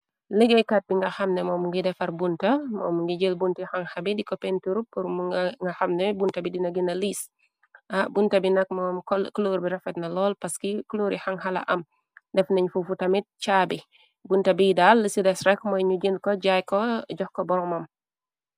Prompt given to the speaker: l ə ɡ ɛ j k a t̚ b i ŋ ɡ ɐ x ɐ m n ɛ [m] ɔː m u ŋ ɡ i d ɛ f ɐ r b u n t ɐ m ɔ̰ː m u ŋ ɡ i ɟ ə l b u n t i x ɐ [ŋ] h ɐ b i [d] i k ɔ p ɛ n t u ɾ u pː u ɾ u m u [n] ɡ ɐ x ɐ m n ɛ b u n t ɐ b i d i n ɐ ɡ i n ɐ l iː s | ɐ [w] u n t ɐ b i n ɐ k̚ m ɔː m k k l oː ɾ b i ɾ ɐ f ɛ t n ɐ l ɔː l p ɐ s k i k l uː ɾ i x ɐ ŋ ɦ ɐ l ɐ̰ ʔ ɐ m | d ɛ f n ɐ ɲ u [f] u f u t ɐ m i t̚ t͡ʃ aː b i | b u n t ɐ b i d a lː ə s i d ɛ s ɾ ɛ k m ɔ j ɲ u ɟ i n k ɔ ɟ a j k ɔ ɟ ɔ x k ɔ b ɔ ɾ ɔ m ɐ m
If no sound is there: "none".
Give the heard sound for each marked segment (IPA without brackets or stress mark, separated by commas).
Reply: m, ŋ, d, ŋ, b, f